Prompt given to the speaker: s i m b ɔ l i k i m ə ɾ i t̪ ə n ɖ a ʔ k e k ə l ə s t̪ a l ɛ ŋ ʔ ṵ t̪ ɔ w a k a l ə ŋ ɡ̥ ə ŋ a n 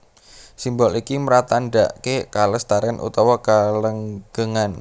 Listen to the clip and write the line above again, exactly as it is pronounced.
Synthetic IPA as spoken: s i m b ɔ l i k i m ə ɾ a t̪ a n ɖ a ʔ k e k a l ə s t̪ a ɾ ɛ n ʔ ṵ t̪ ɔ w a k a l ə ŋ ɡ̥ ə ŋ a n

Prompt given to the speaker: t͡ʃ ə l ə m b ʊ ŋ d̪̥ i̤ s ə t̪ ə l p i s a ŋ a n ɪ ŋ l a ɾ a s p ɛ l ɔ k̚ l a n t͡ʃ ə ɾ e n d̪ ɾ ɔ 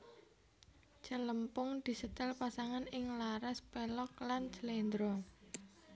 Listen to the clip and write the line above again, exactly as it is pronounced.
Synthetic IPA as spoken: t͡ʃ ə l ə m p ʊ ŋ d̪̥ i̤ s ə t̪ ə l p a s a ŋ a n ɪ ŋ l a ɾ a s p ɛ l ɔ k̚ l a n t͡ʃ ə l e n d̪ ɾ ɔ

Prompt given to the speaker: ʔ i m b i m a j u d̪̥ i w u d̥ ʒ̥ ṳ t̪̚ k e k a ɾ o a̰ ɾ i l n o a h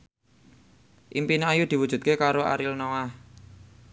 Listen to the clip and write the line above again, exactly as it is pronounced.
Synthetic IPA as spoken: ʔ i m p i n a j u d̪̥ i w u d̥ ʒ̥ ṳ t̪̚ k e k a ɾ o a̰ ɾ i l n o a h

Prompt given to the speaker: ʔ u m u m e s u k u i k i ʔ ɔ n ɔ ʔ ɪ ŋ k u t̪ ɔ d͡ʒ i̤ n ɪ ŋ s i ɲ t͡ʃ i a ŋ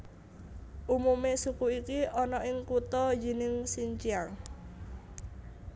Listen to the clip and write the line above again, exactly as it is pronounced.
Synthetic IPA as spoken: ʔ u m u m e s u k u i k i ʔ ɔ n ɔ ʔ ɪ ŋ k u t̪ ɔ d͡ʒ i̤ n ɪ ŋ s i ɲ t͡ʃ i a ŋ

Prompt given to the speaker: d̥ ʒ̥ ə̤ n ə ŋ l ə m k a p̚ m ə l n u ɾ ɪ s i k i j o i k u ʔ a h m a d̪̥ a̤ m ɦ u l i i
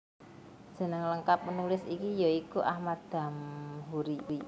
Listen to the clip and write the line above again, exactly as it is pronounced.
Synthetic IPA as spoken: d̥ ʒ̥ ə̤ n ə ŋ l ə ŋ k a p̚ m ə n u l ɪ s i k i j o i k u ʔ a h m a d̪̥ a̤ m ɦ u ɾ i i

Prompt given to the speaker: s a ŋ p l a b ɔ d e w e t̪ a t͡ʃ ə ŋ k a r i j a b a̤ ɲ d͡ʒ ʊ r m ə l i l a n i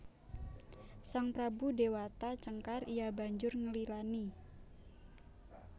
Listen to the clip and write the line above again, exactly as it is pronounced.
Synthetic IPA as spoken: s a ŋ p ɾ a b u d e w a t̪ a t͡ʃ ə ŋ k a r i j a b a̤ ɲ d͡ʒ ʊ r ŋ ə l i l a n i

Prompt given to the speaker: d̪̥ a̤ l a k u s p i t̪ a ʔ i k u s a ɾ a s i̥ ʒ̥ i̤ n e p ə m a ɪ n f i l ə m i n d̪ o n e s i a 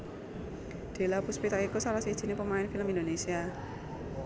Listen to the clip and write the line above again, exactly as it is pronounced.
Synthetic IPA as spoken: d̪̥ e̤ l a p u s p i t̪ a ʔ i k u s a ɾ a s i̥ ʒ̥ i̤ n e p ə m a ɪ n f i l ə m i n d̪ o n e s i a

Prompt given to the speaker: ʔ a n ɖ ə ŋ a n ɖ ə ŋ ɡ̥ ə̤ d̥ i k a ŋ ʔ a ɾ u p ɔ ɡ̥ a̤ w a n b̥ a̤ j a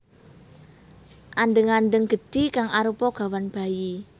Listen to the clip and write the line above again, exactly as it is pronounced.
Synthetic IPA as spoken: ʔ a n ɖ ə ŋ a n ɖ ə ŋ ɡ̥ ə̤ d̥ i k a ŋ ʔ a ɾ u p ɔ ɡ̥ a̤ w a n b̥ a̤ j i

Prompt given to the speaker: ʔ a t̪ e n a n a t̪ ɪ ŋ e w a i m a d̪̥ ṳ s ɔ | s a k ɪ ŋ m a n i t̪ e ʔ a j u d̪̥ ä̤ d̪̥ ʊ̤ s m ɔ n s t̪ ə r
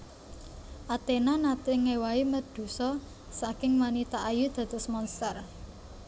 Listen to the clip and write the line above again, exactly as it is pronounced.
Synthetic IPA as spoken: ʔ a t̪ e n a n a t̪ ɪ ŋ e w a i m ə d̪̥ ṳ s ɔ | s a k ɪ ŋ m a n i t̪ a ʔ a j u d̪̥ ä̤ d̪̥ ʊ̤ s m ɔ n s t̪ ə r

